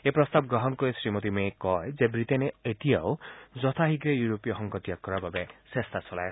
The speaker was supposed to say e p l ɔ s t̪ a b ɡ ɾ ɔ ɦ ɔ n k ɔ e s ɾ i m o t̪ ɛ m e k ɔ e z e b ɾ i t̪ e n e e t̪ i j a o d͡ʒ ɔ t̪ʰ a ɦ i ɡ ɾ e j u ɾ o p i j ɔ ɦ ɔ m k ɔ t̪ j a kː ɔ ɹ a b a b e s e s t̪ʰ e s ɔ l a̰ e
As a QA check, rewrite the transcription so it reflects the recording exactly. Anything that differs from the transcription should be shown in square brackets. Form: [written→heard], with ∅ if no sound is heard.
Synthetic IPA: e p [l→ɾ] ɔ s t̪ a b ɡ ɾ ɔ ɦ ɔ n k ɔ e s ɾ i m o t̪ [ɛ→i] m e k ɔ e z e b ɾ i t̪ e n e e t̪ i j a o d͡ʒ ɔ t̪ʰ a ɦ i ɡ ɾ e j u ɾ o p i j ɔ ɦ ɔ [m→ŋ] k ɔ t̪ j a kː ɔ [ɹ→ɾ] a b a b e s e s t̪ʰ [e→a] s ɔ l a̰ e

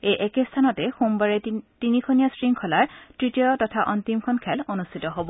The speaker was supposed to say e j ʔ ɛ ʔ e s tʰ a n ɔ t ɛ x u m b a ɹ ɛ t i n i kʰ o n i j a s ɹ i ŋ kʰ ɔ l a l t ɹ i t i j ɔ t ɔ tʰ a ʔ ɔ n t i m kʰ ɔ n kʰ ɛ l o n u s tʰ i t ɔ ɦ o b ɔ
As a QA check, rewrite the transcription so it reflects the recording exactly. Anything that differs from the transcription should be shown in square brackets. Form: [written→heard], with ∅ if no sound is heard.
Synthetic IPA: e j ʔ ɛ [ʔ→k] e s tʰ a n ɔ t ɛ x u m b a ɹ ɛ t i n i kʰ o n i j a s ɹ i ŋ kʰ ɔ l a [l→ɹ] t ɹ i t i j ɔ t ɔ tʰ a ʔ ɔ n t i m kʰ ɔ n kʰ ɛ l o n u s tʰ i t ɔ ɦ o b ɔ

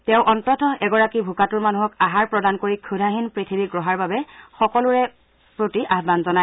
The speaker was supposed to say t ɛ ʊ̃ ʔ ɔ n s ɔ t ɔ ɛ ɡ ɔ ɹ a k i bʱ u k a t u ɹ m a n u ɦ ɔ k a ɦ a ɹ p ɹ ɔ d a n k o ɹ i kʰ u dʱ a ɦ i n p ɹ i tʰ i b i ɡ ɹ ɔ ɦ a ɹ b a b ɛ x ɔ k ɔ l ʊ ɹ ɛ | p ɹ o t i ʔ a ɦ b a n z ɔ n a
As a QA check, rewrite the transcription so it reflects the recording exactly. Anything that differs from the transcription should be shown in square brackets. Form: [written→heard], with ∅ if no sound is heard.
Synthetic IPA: t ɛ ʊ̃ ʔ ɔ n [s→t] ɔ t ɔ ɛ ɡ ɔ ɹ a k i bʱ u k a t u ɹ m a n u ɦ ɔ k a ɦ a ɹ p ɹ ɔ d a n k o ɹ i kʰ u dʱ a ɦ i n p ɹ i tʰ i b i ɡ ɹ ɔ ɦ a ɹ b a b ɛ x ɔ k ɔ l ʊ ɹ ɛ | p ɹ o t i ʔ a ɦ b a n z ɔ n a

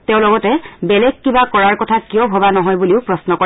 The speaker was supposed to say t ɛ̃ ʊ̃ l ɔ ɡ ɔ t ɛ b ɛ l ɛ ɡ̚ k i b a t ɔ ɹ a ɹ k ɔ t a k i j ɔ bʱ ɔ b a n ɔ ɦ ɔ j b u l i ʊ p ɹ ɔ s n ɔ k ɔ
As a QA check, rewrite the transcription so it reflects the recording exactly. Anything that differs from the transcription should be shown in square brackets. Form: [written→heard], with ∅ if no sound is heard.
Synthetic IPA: t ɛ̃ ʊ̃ l ɔ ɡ ɔ t ɛ b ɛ l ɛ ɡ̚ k i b a [t→k] ɔ ɹ a ɹ k ɔ [t→tʰ] a k i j ɔ bʱ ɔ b a n ɔ ɦ ɔ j b u l i ʊ p ɹ ɔ s n ɔ k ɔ

